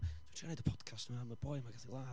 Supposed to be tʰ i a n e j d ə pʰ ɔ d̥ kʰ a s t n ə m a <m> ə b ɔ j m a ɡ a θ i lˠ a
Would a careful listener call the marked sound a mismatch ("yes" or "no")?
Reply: no